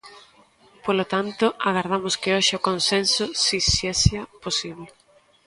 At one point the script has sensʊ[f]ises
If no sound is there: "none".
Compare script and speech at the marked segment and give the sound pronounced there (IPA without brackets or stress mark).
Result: s